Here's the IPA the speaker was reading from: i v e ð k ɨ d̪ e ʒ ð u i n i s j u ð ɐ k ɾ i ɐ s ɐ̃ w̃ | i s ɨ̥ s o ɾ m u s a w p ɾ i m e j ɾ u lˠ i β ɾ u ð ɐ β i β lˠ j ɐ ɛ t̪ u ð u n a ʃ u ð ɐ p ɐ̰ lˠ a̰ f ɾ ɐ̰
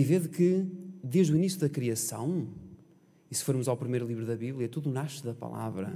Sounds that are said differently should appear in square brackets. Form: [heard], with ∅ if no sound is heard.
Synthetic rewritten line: i v e ð k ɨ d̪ e ʒ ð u i n i s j u ð ɐ k ɾ i ɐ s ɐ̃ w̃ | i s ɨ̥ [f] o ɾ m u [z] a w p ɾ i m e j ɾ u lˠ i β ɾ u ð ɐ β i β lˠ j ɐ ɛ t̪ u ð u n a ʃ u ð ɐ p ɐ̰ lˠ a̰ [v] ɾ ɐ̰

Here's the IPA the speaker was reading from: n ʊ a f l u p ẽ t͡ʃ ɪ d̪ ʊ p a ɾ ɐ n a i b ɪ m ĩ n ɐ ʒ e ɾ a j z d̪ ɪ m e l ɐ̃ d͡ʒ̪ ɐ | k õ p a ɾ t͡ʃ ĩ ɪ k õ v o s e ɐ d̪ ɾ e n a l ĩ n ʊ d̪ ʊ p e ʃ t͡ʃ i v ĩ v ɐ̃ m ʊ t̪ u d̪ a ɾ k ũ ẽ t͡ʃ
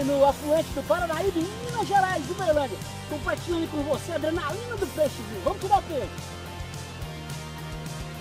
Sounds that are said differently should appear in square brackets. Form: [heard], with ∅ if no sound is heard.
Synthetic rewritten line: n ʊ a f l u [∅] ẽ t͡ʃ ɪ d̪ ʊ p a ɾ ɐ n a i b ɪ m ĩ n ɐ ʒ e ɾ a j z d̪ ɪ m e l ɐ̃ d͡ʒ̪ ɐ | k õ p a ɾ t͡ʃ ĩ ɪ k õ v o s e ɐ d̪ ɾ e n a l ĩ n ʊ d̪ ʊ p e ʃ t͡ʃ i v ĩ v ɐ̃ m ʊ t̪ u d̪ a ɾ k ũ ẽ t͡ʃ

